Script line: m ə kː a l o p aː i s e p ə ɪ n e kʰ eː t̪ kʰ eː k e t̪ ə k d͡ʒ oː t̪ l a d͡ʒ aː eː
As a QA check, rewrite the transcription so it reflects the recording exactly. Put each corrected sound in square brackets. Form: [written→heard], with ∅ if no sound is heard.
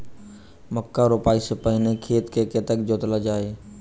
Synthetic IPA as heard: m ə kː a [l→ɾ] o p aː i s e p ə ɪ n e kʰ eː t̪ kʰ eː k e t̪ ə k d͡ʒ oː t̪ l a d͡ʒ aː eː